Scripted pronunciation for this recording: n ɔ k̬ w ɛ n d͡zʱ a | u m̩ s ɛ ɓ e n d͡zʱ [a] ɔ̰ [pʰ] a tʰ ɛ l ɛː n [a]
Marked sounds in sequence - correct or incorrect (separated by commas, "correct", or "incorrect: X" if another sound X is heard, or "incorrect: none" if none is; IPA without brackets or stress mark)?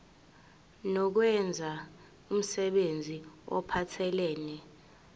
incorrect: i, correct, incorrect: ɛ